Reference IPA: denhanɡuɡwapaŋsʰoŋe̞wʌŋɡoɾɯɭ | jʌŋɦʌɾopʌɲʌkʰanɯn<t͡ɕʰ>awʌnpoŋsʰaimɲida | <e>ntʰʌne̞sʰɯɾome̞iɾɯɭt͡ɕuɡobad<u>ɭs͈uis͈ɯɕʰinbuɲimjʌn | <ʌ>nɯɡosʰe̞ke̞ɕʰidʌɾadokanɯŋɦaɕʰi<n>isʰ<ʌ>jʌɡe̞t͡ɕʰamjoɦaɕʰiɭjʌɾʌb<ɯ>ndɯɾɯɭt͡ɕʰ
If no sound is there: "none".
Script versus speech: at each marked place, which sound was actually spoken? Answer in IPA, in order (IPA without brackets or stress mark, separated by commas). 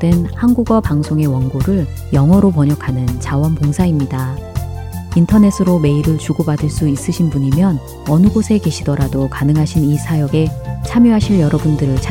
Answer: t͡ɕ, i, ɯ, ʌ, n, a, u